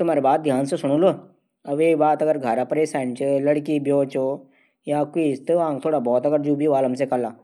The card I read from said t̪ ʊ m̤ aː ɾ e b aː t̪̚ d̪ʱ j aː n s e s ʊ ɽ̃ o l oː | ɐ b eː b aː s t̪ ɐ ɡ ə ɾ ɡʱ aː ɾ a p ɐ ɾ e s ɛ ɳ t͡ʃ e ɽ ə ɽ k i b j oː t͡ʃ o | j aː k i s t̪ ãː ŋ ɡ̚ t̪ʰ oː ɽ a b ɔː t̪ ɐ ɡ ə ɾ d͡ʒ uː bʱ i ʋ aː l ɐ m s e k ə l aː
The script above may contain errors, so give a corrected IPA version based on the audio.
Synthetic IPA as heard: t̪ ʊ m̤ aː ɾ e b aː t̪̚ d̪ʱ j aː n s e s ʊ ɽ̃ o l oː | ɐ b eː b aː t̪ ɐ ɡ ə ɾ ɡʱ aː ɾ a p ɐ ɾ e s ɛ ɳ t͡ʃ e l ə ɽ k i b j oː t͡ʃ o | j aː k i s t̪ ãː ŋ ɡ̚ t̪ʰ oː ɽ a b ɔː t̪ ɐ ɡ ə ɾ d͡ʒ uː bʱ i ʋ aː l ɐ m s e k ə l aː

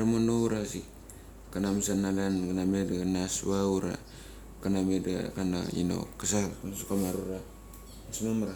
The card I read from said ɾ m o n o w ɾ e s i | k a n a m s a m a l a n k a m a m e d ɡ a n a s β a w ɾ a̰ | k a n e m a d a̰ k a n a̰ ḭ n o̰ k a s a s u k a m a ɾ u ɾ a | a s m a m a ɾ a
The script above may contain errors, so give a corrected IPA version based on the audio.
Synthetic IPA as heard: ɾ m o n o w ɾ a s i | k a n a m s a n a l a n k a n a m e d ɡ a n a s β a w ɾ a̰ | k a n a m e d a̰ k a n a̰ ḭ n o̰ k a s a s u k a m a ɾ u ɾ a | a s m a m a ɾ a

